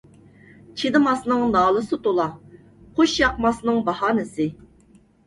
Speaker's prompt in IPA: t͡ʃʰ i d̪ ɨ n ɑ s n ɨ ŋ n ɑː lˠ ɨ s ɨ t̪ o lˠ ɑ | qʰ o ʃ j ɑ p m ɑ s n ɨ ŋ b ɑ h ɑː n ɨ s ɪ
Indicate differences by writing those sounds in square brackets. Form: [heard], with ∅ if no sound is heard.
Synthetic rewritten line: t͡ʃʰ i d̪ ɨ [m] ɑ s n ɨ ŋ n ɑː lˠ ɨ s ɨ t̪ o lˠ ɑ | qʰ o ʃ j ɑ [q] m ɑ s n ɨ ŋ b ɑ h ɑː n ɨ s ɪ

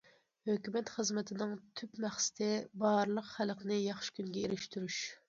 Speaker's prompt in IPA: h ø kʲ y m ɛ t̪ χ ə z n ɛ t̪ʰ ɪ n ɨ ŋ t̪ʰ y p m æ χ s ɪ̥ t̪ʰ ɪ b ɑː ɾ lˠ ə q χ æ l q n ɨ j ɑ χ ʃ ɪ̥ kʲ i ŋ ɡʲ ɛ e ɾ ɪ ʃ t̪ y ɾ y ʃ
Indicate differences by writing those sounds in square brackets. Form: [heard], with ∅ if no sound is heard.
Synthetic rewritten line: h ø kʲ y m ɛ t̪ χ ə z [m] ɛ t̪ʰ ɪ n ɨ ŋ t̪ʰ y p m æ χ s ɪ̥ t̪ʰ ɪ b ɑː ɾ lˠ ə q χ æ l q n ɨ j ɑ χ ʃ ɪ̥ kʲ [y] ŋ ɡʲ ɛ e ɾ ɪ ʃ t̪ y ɾ y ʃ

